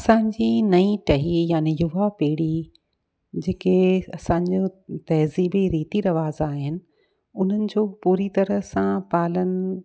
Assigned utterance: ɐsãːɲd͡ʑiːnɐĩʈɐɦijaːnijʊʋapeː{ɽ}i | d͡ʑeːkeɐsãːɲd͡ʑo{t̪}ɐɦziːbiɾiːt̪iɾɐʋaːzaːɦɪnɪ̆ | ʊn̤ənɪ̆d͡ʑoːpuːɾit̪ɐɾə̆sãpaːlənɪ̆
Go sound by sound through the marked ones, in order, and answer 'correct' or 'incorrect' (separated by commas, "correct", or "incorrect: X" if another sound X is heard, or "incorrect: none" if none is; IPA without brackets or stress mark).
correct, correct